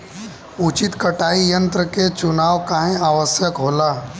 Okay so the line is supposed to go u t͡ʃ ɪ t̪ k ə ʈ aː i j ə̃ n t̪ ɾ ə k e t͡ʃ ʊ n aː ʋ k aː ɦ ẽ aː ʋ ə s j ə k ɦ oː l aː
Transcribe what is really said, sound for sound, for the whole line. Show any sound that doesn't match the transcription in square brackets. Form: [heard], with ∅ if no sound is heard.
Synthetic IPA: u t͡ʃ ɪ t̪ k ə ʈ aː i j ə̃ n t̪ ɾ ə k e t͡ʃ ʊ n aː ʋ k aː ɦ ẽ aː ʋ ə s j ə k ɦ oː l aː